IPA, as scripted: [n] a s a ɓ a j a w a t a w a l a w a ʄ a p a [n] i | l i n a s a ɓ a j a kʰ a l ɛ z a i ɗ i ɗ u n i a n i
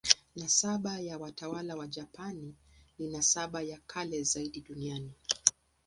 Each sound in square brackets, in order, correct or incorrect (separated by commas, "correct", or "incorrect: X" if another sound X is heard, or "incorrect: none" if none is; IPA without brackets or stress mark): correct, correct